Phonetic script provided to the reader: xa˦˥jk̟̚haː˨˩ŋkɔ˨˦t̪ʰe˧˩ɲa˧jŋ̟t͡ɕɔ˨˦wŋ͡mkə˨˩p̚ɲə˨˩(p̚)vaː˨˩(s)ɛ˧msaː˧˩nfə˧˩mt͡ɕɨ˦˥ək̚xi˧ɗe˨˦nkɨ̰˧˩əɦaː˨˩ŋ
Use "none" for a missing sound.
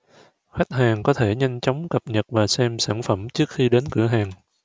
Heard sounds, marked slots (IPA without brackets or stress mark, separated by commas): t̚, s